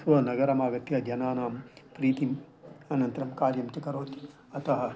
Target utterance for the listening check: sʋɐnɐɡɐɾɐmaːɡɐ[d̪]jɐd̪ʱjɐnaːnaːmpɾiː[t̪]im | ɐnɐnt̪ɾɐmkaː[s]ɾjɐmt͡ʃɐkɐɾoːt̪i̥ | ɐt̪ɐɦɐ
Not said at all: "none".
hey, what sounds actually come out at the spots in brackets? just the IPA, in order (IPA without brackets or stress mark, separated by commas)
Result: t̪, t̪, none